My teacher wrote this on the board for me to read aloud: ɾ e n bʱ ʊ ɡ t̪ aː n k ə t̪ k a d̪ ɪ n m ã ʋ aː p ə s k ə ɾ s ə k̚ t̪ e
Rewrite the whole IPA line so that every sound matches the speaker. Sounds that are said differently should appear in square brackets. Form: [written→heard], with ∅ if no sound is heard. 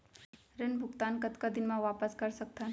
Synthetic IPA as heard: ɾ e n bʱ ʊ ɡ t̪ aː n k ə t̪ k a d̪ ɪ n m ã ʋ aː p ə s k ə ɾ s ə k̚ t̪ [e→a]